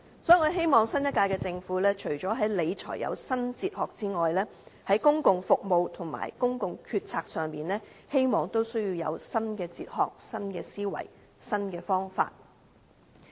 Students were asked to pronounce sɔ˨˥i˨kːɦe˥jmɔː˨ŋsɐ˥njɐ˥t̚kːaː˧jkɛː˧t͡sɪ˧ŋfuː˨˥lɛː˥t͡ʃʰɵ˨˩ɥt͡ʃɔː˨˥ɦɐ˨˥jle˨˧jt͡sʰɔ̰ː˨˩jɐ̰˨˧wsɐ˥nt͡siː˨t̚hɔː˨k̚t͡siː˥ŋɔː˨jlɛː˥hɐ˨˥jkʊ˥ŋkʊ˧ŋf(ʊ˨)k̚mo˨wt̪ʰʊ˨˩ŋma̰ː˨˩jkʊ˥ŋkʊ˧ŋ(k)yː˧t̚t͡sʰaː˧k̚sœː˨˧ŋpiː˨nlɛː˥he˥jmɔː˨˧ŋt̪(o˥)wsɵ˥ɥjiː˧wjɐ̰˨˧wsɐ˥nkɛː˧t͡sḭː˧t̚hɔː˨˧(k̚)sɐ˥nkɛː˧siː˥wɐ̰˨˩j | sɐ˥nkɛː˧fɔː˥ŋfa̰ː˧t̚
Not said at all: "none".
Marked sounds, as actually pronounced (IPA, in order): ʊ˨, kʰ, o˥, k̚

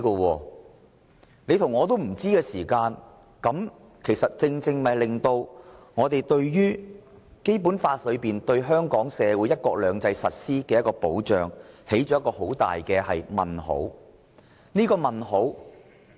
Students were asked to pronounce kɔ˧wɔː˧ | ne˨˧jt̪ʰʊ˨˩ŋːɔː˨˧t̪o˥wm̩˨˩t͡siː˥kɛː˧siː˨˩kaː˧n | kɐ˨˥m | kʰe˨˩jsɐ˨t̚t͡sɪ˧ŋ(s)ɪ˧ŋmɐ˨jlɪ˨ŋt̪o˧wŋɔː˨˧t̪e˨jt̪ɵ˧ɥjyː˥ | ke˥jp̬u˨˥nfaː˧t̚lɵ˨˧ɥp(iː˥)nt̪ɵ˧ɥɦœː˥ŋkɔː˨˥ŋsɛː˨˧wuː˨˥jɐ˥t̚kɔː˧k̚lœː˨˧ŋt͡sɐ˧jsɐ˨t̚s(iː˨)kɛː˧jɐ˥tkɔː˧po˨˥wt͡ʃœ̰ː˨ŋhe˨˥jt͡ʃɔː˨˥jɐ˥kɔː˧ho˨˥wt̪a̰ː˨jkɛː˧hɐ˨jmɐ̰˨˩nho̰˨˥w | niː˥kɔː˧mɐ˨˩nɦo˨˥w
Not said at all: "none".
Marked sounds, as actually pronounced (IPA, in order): t͡s, iː˨˩, iː˥

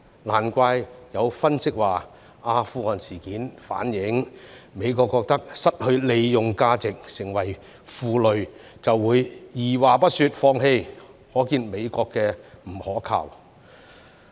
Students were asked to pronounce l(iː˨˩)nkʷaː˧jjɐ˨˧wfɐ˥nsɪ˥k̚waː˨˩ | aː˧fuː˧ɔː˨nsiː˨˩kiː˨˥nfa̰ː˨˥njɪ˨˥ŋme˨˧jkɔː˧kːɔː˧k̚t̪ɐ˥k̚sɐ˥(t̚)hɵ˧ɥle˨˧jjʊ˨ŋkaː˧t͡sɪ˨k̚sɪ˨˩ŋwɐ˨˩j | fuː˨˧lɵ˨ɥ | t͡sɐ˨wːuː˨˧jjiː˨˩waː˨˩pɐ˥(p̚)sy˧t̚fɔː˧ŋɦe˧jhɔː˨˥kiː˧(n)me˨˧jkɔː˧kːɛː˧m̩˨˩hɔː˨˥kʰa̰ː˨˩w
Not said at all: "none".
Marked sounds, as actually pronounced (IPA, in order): aː˨˩, t̚, t̚, n

